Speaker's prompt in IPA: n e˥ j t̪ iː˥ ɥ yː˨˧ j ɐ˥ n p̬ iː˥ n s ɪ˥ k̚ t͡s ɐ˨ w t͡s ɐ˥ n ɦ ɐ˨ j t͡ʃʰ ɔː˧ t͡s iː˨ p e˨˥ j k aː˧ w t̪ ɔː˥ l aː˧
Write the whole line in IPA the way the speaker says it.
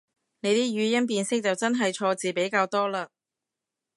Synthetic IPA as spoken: n e˨˧ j t̪ iː˥ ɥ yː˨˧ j ɐ˥ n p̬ iː˧ n s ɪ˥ k̚ t͡s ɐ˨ w t͡s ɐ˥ n ɦ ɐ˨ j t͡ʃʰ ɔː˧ t͡s iː˨ p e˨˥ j k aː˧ w t̪ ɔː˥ l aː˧